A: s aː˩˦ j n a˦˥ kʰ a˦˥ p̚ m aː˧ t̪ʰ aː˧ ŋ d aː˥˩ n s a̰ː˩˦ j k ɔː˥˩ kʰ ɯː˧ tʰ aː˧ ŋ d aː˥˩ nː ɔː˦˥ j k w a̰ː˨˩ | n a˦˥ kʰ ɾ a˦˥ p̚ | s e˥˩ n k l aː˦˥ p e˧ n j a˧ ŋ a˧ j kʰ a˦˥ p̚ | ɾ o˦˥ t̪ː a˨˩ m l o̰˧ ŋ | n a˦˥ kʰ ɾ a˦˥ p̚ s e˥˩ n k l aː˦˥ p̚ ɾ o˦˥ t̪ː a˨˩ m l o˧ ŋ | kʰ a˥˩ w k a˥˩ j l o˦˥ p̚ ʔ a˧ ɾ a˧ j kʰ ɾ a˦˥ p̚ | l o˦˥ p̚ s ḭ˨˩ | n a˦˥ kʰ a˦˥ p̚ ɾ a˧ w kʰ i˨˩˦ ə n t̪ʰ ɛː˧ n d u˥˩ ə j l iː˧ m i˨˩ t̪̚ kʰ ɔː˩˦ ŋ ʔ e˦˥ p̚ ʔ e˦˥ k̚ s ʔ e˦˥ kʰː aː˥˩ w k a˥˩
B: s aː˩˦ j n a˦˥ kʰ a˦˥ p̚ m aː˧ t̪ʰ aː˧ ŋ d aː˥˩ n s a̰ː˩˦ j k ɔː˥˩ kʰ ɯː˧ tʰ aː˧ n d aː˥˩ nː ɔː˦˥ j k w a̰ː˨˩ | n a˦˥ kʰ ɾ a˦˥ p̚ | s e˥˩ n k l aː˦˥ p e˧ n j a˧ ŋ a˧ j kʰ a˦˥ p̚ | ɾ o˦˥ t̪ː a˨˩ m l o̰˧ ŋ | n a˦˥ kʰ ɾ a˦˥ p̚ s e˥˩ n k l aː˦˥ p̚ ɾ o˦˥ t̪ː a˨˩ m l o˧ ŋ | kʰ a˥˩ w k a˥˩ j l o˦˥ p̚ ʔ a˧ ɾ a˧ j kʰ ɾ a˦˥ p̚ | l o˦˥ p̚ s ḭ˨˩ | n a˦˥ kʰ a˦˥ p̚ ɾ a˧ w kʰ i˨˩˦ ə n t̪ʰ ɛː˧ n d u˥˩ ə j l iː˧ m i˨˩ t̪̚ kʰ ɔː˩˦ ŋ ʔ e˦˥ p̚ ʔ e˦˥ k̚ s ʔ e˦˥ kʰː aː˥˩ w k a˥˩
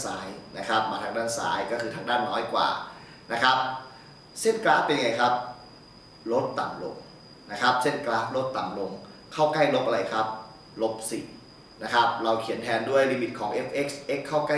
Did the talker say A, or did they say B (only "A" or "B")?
A